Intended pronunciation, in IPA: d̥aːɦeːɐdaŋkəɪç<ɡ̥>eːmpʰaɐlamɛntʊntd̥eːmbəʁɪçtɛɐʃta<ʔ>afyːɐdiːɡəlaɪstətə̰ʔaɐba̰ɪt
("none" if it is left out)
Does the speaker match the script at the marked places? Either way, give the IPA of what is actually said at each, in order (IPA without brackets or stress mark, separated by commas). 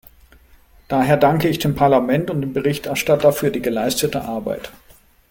d̥, t